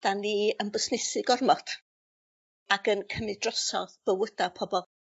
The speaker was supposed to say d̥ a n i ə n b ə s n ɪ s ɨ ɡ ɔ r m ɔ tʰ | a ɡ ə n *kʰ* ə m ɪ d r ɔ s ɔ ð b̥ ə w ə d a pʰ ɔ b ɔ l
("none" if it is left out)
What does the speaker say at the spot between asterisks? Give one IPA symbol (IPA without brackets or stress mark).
kʰ